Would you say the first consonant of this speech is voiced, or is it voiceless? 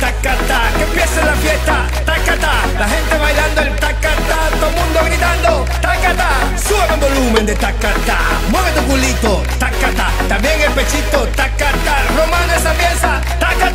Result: voiceless